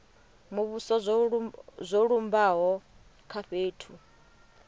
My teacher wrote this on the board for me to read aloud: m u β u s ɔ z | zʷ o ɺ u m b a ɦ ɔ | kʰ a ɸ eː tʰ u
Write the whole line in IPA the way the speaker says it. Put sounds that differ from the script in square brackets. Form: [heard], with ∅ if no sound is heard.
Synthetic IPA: m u β u s ɔ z | zʷ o ɺ u m b a ɦ ɔ | kʰ a ɸ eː tʰ u